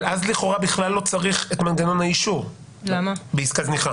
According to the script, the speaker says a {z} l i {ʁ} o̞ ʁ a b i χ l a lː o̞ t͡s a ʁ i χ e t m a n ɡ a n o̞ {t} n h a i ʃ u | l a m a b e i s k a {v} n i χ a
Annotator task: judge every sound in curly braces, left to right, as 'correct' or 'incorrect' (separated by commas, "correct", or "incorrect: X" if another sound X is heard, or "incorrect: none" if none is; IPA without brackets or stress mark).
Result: correct, incorrect: χ, incorrect: none, incorrect: z